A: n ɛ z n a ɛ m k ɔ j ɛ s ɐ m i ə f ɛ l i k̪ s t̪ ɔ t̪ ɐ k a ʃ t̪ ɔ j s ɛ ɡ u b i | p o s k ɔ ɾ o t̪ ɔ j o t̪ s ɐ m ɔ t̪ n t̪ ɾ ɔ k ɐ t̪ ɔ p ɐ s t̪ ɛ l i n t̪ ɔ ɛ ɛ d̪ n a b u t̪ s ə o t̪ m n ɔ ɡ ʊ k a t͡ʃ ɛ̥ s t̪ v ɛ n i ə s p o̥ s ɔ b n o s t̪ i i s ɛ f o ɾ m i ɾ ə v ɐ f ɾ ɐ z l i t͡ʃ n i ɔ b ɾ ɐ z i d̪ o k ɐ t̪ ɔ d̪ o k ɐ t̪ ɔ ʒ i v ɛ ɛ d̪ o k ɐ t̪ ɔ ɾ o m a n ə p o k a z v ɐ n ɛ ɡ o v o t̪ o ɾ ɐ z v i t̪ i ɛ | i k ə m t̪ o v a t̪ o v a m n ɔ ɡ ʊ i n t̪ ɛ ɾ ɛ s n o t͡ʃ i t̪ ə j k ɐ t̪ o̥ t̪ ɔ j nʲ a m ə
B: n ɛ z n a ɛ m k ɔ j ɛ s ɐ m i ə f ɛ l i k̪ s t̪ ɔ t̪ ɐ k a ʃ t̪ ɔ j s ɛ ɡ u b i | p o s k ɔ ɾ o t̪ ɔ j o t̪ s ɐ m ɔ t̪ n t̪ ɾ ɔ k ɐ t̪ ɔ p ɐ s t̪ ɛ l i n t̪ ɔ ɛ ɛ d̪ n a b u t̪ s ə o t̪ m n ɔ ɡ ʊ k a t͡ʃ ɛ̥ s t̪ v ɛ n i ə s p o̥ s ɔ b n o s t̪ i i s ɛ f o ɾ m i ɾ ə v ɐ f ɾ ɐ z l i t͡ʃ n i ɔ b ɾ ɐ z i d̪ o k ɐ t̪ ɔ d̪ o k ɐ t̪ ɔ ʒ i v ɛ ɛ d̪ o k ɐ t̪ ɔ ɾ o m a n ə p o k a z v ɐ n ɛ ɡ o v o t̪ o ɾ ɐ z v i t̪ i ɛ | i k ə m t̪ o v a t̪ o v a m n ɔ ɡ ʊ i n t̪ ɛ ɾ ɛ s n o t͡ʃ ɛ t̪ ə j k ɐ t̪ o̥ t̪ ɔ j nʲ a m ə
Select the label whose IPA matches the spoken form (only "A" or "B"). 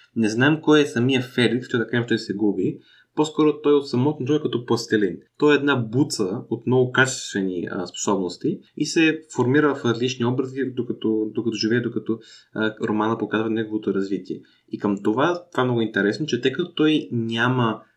B